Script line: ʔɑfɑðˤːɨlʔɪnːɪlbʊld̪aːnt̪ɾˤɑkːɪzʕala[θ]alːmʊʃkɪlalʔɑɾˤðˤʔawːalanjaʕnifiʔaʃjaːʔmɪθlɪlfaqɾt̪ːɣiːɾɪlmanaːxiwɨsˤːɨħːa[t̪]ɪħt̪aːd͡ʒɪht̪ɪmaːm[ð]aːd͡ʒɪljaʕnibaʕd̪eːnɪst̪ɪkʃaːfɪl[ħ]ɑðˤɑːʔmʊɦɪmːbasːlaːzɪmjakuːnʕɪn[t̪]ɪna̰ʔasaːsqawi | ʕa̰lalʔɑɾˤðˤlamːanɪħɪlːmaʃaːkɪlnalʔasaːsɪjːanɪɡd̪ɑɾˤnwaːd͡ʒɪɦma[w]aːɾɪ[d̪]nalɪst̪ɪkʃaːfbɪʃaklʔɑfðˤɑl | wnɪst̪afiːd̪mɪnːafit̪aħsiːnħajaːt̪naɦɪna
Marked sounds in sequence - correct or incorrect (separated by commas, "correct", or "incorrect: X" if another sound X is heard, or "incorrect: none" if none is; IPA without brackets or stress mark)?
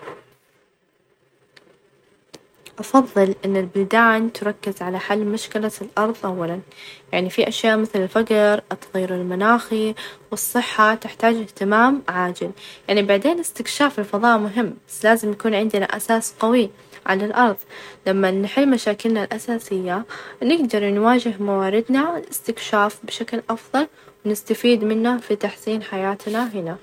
incorrect: ħ, correct, incorrect: ʕ, incorrect: f, incorrect: d̪, correct, correct